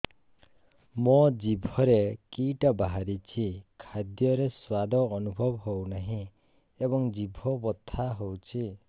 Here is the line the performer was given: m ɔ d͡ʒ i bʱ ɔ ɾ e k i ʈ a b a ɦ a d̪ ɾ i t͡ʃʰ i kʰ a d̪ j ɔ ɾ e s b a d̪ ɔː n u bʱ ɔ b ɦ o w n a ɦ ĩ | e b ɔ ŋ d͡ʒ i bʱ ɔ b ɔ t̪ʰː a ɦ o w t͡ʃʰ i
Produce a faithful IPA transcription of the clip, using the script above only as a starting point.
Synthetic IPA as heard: m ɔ d͡ʒ i bʱ ɔ ɾ e k i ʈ a b a ɦ a ɾ i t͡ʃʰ i kʰ a d̪ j ɔ ɾ e s w a d̪ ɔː n u bʱ ɔ b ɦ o w n a ɦ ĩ | e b ɔ ŋ d͡ʒ i bʱ ɔ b ɔ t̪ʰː a ɦ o w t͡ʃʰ i